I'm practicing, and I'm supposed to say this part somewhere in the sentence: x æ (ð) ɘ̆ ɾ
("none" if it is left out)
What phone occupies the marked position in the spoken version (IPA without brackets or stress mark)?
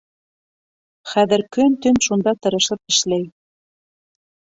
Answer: ð